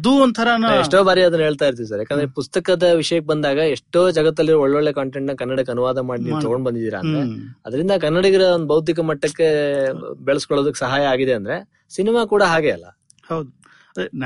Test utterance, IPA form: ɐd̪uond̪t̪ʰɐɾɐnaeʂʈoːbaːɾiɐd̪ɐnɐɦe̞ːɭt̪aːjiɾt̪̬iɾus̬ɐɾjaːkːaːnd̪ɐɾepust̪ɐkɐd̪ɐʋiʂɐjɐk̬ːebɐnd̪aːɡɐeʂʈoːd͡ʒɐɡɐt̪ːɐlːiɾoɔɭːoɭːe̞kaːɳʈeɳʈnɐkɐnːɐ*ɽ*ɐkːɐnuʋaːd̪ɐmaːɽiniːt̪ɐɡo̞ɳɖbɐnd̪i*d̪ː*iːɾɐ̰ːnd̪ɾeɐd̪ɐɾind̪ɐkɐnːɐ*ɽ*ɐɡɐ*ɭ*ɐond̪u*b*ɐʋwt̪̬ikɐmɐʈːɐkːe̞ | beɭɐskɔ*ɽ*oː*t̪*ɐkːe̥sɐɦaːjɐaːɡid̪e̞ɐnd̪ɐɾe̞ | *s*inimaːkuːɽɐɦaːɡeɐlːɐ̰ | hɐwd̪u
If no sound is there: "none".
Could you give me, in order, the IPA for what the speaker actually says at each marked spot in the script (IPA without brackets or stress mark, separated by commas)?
ɽ, d̪, ɽ, ɾ, b, ɭ, d̪, s